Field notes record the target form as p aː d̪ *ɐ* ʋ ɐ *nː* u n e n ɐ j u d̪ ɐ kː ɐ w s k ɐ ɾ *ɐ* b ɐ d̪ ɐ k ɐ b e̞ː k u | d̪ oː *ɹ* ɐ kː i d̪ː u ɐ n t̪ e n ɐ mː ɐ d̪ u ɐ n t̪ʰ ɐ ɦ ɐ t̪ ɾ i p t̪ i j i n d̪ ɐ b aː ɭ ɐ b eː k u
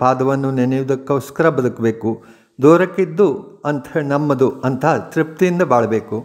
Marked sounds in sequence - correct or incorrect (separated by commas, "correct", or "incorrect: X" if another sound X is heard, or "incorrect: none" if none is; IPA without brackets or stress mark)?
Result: correct, correct, correct, incorrect: ɾ